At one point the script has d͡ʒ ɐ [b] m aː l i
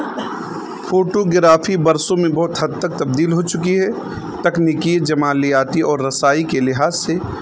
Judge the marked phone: incorrect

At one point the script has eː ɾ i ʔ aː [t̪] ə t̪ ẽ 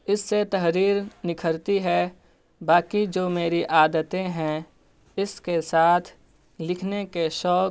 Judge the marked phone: incorrect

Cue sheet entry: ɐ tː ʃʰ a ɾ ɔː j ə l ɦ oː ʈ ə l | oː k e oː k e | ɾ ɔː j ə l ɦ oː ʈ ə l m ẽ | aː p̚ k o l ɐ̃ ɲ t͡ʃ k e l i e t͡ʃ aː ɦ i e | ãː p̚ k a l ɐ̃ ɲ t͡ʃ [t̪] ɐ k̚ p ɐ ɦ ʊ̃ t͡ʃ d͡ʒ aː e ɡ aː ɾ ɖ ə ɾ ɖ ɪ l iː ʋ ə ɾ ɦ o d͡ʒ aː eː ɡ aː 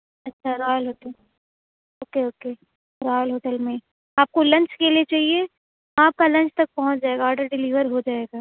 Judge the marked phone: correct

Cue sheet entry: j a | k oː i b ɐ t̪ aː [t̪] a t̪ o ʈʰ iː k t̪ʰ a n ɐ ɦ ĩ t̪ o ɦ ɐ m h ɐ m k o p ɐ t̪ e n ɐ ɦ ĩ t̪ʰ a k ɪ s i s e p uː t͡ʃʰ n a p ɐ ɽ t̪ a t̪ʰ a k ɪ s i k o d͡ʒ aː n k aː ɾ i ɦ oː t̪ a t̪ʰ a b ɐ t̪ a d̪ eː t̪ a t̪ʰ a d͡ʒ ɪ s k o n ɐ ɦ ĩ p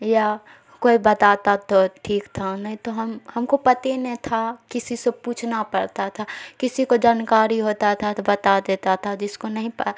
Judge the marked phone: correct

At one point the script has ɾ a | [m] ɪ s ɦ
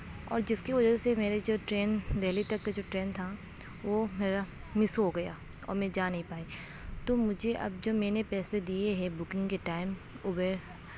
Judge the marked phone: correct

